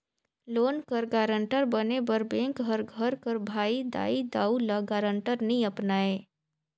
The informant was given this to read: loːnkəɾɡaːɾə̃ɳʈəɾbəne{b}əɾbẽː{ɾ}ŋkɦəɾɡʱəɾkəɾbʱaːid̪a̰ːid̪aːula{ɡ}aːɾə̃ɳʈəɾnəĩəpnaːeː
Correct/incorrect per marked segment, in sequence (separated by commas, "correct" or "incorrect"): correct, incorrect, correct